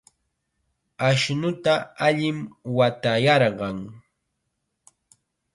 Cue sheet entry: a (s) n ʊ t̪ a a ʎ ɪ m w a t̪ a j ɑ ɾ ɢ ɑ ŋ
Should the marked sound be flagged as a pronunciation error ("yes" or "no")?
yes